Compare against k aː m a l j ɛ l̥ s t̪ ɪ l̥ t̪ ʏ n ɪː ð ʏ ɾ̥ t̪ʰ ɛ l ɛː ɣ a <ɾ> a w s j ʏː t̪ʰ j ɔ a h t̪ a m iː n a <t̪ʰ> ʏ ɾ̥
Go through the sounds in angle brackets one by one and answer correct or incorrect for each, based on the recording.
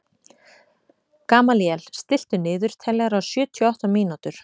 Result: correct, incorrect: t̪

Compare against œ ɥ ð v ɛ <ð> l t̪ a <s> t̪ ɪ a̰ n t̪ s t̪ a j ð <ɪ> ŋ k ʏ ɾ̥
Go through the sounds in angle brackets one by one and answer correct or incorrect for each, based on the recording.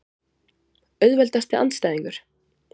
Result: incorrect: none, correct, incorrect: i

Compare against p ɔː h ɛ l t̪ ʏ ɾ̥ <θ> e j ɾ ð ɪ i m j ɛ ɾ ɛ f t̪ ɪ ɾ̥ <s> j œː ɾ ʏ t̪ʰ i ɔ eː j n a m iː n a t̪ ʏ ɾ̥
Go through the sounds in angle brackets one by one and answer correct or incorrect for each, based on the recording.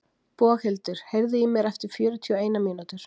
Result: incorrect: h, incorrect: f

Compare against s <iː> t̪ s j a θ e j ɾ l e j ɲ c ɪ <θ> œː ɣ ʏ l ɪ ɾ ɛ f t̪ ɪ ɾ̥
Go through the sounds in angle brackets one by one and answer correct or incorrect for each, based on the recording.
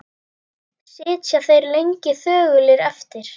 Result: incorrect: ɪː, correct

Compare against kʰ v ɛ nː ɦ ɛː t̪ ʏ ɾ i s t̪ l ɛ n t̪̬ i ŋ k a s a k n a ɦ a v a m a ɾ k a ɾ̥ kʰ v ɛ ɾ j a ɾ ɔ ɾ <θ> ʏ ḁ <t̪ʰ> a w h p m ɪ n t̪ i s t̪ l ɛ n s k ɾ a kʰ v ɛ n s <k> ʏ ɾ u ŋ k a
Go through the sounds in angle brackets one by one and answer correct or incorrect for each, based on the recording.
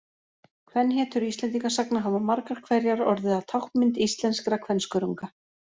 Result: incorrect: ð, correct, correct

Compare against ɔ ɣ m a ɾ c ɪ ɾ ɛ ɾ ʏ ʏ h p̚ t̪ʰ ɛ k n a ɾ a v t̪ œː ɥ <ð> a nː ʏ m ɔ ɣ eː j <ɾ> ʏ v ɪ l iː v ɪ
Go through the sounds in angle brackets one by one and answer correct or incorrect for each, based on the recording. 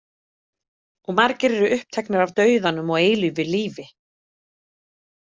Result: correct, incorrect: l

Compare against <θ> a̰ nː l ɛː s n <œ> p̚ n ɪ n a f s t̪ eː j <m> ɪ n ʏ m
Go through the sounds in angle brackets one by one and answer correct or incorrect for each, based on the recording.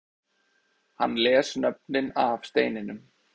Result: incorrect: h, correct, incorrect: n

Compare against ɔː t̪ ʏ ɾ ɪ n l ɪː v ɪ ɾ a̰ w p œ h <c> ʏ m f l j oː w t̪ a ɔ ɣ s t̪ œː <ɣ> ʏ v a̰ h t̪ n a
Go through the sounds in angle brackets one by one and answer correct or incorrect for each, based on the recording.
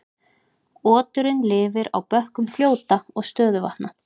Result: incorrect: k, incorrect: ð

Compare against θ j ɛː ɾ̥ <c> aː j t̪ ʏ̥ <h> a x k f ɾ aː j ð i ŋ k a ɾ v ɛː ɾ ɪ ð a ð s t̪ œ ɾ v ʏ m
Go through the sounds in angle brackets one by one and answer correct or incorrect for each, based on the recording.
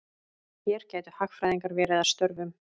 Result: correct, correct

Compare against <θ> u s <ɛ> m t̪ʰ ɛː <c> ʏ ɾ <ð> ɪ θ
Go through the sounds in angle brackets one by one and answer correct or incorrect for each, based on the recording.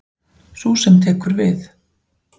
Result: incorrect: s, correct, incorrect: k, incorrect: v

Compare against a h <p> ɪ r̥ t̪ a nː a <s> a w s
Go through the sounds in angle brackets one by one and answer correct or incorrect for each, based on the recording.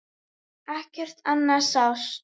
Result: incorrect: c, correct

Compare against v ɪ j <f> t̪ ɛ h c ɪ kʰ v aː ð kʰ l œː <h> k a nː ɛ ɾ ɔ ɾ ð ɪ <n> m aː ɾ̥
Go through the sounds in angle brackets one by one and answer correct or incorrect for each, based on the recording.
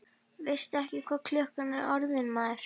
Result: incorrect: s, correct, correct

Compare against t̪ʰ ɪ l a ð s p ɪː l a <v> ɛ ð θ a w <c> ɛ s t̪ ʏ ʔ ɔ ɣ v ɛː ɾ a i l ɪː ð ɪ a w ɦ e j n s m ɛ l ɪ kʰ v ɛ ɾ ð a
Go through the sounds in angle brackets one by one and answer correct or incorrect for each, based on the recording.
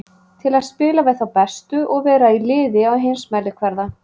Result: correct, incorrect: p

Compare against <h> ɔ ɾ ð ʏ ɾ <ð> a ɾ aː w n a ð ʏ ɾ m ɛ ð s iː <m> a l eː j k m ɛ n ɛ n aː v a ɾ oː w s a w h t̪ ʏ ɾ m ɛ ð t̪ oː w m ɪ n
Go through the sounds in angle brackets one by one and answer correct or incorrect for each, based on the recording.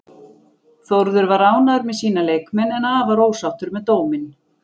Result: incorrect: θ, incorrect: v, incorrect: n

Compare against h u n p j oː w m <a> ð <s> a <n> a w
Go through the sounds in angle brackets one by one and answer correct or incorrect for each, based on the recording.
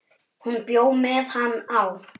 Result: incorrect: ɛ, incorrect: h, incorrect: nː

